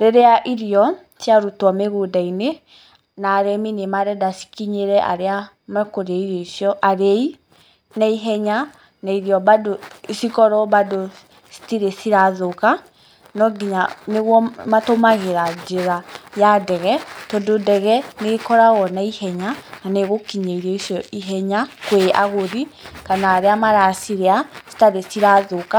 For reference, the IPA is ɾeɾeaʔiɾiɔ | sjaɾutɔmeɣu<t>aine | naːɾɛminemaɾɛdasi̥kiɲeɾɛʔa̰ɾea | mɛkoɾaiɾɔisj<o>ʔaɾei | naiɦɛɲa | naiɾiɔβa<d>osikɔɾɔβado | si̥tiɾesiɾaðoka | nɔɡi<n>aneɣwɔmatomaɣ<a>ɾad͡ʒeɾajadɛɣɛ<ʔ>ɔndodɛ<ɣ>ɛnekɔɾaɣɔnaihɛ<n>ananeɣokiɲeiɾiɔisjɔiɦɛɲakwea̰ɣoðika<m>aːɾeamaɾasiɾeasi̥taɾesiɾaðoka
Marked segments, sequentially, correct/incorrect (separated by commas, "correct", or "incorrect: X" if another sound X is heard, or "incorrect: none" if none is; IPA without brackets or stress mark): incorrect: d, incorrect: ɔ, correct, incorrect: ɲ, incorrect: e, incorrect: t, correct, incorrect: ɲ, incorrect: n